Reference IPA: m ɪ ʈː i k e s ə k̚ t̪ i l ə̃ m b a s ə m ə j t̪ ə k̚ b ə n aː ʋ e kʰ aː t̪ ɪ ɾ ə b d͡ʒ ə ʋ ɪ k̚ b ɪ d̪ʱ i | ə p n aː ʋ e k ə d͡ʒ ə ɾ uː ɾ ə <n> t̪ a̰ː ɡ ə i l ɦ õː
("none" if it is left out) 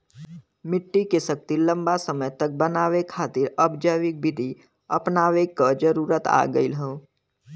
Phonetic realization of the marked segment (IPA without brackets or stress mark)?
none